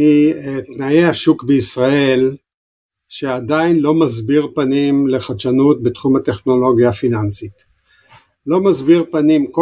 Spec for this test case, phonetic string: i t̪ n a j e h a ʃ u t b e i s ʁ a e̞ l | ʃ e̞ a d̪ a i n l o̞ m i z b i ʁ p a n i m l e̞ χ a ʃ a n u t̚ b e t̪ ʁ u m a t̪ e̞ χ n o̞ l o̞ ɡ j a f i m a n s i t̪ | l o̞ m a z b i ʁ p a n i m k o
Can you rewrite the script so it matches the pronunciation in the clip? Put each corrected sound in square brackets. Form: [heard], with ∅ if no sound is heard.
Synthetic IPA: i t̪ n a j e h a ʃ u [k] b e i s ʁ a e̞ l | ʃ e̞ a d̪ a i n l o̞ m [a] z b i ʁ p a n i m l e̞ χ a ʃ a n u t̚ b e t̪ [χ] u m a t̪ e̞ χ n o̞ l o̞ ɡ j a f i [n] a n s i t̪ | l o̞ m a z b i ʁ p a n i m k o